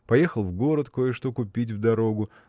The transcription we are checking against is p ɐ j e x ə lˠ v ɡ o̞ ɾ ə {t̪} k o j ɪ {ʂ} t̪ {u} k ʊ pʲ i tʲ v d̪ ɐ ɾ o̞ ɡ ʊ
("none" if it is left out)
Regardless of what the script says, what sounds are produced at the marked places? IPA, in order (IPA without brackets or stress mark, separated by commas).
t̪, ʂ, o